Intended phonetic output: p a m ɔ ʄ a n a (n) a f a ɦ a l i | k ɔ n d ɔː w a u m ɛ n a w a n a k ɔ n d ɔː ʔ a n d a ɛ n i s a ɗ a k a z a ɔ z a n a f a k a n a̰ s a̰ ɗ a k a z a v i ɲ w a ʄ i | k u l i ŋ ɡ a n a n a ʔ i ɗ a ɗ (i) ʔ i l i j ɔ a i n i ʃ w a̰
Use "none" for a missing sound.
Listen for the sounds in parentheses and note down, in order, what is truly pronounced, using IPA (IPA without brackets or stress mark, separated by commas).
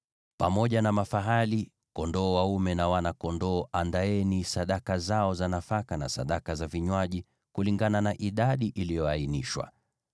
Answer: m, i